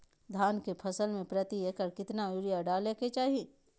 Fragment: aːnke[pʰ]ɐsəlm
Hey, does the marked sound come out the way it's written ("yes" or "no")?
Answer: yes